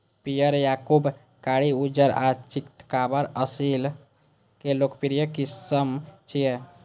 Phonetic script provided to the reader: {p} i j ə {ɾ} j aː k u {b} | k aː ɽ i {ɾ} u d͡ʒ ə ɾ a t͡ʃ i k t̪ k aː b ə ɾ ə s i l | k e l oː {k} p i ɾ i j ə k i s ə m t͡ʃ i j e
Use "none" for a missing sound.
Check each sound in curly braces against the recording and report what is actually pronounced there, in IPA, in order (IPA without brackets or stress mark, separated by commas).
p, ɾ, b, none, k